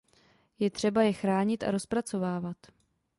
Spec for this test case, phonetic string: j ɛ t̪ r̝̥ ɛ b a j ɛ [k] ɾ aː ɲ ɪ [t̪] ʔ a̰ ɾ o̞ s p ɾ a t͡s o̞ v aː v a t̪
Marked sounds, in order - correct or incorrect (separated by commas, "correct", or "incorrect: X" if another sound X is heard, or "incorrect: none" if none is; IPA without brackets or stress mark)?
incorrect: x, correct